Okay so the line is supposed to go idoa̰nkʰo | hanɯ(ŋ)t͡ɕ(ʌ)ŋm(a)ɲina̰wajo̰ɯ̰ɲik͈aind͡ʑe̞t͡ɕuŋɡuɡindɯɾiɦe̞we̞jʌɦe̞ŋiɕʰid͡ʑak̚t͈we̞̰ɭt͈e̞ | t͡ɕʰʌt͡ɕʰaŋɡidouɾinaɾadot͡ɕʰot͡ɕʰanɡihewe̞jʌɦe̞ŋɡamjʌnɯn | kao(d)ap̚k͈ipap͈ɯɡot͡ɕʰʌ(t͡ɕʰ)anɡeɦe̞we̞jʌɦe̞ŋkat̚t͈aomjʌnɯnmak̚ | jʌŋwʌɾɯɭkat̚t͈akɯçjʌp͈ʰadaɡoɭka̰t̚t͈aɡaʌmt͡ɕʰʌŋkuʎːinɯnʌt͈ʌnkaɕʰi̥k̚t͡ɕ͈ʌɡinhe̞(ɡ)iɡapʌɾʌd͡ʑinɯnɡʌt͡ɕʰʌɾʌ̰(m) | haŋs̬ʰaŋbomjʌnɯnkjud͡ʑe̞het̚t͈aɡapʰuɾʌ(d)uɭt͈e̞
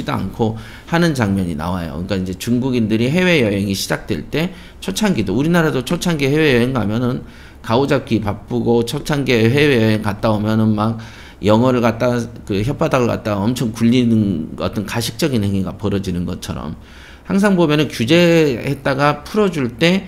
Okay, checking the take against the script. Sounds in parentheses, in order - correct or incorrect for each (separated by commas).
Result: incorrect, incorrect, incorrect, incorrect, correct, incorrect, correct, incorrect